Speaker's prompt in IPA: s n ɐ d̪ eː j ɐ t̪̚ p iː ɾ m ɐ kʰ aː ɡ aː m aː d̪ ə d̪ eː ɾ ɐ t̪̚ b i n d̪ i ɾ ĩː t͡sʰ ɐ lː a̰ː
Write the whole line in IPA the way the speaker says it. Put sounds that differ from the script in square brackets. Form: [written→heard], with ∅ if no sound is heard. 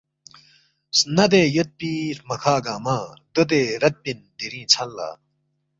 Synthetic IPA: s n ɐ d̪ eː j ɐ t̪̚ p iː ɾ m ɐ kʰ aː ɡ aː m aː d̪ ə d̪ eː ɾ ɐ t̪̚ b i n d̪ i ɾ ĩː t͡sʰ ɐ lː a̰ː